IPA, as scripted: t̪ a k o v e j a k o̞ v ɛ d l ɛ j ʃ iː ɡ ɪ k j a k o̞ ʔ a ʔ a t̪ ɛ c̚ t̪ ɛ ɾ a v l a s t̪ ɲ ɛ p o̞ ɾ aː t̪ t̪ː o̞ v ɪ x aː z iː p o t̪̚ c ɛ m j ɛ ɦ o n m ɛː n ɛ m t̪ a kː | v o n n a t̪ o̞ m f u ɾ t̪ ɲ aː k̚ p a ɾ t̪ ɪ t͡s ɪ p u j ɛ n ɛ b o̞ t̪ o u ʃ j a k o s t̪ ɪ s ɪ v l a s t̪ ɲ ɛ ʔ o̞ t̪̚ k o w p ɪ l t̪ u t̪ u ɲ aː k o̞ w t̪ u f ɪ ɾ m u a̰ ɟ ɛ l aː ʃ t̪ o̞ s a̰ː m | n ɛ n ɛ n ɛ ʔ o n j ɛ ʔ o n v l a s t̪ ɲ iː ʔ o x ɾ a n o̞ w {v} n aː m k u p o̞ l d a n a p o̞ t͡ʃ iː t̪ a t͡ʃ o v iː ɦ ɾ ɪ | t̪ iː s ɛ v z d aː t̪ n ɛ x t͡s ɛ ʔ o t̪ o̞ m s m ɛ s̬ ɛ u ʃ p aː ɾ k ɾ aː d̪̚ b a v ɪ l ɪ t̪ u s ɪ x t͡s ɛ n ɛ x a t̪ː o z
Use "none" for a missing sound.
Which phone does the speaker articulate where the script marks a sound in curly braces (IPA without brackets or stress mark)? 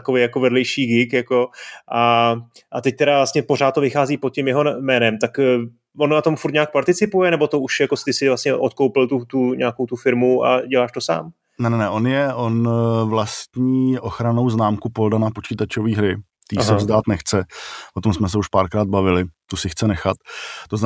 z